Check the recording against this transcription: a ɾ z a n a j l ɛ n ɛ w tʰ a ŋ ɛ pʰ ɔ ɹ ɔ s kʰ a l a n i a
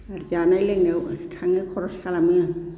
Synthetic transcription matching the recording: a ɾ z a n a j l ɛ n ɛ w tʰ a ŋ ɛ kʰ ɔ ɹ ɔ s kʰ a l a m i a